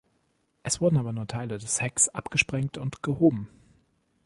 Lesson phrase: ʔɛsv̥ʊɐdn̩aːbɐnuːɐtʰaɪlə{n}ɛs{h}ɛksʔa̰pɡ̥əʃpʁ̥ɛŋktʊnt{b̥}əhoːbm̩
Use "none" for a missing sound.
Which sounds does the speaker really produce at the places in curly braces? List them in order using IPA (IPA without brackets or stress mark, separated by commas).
d, h, ɡ̥